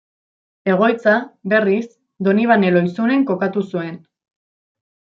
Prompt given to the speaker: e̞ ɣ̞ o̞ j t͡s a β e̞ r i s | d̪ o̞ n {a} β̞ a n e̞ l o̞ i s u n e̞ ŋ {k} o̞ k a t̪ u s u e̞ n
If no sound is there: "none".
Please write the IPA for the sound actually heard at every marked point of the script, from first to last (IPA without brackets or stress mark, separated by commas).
i, k